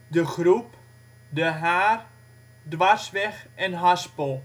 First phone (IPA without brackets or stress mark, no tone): d